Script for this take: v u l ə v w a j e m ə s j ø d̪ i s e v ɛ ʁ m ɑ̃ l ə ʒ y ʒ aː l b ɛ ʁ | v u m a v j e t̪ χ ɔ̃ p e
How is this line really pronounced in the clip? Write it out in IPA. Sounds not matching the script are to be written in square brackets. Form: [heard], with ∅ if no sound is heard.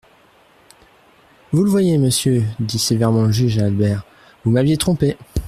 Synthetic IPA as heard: v u l ə v w a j e m ə s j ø d̪ i s e v ɛ ʁ m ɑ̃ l ə ʒ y ʒ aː l b ɛ ʁ | v u m a v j e t̪ χ ɔ̃ p e